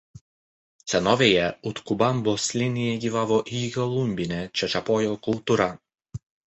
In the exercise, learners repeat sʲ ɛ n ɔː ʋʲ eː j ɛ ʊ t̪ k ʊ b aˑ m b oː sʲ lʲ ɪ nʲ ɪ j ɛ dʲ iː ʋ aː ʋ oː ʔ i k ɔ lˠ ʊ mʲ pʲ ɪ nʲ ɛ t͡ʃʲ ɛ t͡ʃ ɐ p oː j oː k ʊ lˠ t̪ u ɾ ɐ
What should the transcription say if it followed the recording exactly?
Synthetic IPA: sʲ ɛ n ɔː ʋʲ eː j ɛ ʊ t̪ k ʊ b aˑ m b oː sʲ lʲ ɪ nʲ ɪ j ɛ ɡʲ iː ʋ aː ʋ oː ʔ i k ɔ lˠ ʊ mʲ bʲ ɪ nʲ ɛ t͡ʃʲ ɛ t͡ʃ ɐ p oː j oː k ʊ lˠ t̪ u ɾ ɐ